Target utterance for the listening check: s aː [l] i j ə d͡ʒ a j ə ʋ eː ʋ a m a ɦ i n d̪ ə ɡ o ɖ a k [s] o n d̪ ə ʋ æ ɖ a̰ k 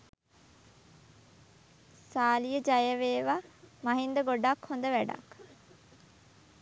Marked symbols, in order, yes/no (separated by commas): yes, no